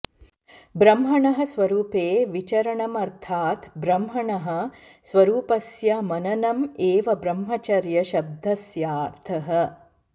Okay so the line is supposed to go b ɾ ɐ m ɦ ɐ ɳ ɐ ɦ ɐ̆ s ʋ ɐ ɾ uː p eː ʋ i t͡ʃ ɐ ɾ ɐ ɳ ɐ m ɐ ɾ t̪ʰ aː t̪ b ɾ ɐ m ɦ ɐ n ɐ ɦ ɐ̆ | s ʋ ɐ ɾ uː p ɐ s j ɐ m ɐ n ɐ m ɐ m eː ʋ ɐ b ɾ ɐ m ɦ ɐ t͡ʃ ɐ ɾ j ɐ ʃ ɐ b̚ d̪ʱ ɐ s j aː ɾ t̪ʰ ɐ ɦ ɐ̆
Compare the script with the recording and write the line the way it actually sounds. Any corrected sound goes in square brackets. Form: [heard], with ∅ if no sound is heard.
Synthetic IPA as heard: b ɾ ɐ m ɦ ɐ ɳ ɐ ɦ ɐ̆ s ʋ ɐ ɾ uː p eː ʋ i t͡ʃ ɐ ɾ ɐ ɳ ɐ m ɐ ɾ t̪ʰ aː t̪ b ɾ ɐ m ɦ ɐ [ɳ] ɐ ɦ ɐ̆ | s ʋ ɐ ɾ uː p ɐ s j ɐ m ɐ n ɐ [n] ɐ m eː ʋ ɐ b ɾ ɐ m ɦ ɐ t͡ʃ ɐ ɾ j ɐ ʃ ɐ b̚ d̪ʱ ɐ s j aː ɾ t̪ʰ ɐ ɦ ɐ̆